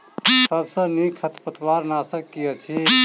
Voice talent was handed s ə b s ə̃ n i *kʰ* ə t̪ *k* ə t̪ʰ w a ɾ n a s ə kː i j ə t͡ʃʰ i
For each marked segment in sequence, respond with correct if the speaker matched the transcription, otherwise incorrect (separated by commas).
correct, incorrect